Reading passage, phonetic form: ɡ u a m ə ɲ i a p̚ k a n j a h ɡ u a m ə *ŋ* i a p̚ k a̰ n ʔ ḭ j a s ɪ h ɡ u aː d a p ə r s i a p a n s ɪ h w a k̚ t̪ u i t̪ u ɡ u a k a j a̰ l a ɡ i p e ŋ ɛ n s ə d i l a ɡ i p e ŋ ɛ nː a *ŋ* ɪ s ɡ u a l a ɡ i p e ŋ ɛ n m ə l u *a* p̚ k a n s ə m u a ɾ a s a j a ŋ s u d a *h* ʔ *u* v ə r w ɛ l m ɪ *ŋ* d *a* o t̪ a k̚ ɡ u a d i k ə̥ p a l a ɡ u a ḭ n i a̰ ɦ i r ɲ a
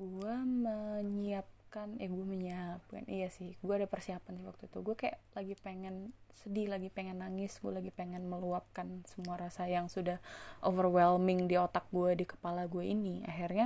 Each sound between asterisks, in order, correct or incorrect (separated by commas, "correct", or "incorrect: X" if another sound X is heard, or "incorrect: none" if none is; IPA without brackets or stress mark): incorrect: ɲ, correct, correct, correct, incorrect: o, correct, incorrect: i